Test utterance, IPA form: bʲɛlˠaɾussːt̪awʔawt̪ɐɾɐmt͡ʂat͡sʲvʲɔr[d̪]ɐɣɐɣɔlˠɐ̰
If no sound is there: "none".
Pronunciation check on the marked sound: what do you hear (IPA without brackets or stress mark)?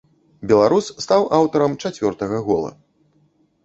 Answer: t̪